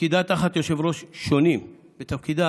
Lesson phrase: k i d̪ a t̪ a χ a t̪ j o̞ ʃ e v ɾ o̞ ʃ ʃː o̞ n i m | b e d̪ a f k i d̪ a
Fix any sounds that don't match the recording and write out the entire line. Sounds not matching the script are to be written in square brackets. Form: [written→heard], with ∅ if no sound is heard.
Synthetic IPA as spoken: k i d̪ a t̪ a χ a t̪ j o̞ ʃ e v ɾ o̞ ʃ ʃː o̞ n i m | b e [d̪→t̪] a f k i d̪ a